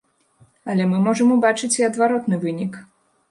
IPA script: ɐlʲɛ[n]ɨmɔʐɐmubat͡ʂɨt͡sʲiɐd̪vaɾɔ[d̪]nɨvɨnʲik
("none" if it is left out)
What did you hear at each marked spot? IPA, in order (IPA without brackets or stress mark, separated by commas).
m, t̪